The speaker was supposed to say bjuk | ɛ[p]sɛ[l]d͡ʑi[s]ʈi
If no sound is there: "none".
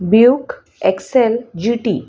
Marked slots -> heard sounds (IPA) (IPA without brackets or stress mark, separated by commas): k, l, none